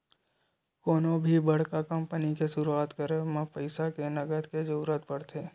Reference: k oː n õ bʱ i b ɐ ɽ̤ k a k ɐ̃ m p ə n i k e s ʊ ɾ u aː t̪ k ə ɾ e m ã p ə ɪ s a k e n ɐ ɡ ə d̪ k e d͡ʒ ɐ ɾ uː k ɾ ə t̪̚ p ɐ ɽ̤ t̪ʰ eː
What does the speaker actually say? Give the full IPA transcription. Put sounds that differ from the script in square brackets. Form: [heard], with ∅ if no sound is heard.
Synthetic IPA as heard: k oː n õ bʱ i b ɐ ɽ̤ k a k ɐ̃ m p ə n i k e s ʊ ɾ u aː t̪ k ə ɾ e m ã p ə ɪ s a k e n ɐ ɡ ə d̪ k e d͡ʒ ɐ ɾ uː [∅] ɾ ə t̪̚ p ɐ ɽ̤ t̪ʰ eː